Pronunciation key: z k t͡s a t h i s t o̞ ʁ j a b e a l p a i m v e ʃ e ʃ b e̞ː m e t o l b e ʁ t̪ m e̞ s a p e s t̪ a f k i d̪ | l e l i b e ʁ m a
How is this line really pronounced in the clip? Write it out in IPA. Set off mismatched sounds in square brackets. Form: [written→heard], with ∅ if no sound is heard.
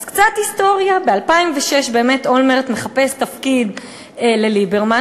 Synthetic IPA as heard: z k t͡s a t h i s t o̞ ʁ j a b e a l p a i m v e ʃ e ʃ b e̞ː m e t o l [b→m] e ʁ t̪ m e̞ [s→χ] a p e s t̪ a f k i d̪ | l e l i b e ʁ m a